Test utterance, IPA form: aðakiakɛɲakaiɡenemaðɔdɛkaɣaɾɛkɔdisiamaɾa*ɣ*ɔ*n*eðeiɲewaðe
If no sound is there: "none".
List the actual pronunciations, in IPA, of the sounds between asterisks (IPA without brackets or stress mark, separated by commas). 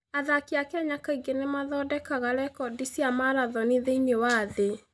ð, n